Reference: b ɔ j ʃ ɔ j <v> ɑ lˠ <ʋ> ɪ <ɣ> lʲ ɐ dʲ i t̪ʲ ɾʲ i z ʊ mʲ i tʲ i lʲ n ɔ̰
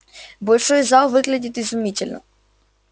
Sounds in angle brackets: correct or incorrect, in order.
incorrect, correct, correct

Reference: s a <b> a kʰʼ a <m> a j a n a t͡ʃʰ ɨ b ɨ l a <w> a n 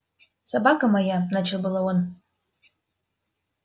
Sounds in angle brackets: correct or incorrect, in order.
correct, correct, correct

